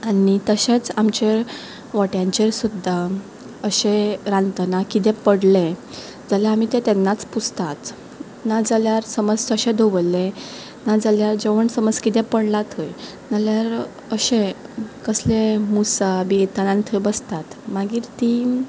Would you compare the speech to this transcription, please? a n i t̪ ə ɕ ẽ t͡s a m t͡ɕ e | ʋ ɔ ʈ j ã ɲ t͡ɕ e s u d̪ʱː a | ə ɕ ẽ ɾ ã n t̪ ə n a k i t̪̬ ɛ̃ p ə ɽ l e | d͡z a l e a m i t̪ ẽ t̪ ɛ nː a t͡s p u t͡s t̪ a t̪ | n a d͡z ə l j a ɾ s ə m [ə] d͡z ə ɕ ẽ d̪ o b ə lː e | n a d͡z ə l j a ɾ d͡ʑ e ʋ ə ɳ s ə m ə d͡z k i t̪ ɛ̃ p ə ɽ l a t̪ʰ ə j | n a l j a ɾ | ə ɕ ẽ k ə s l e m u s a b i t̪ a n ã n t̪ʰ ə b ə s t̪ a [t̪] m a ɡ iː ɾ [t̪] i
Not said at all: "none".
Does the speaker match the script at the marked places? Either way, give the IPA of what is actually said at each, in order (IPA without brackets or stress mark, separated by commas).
ə, t̪, t̪